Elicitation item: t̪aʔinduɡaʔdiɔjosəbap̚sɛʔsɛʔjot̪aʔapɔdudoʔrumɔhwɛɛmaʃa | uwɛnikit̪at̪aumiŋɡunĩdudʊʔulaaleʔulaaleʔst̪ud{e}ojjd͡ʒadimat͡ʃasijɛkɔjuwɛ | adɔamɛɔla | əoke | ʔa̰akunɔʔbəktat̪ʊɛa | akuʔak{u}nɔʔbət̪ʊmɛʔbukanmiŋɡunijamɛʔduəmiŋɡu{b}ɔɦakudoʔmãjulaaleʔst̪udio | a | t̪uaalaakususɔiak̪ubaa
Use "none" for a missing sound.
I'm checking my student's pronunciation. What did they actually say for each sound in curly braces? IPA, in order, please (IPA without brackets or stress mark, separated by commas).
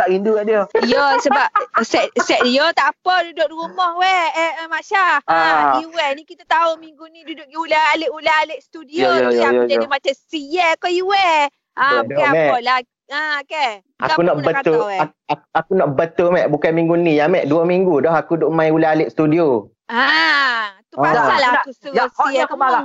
i, u, d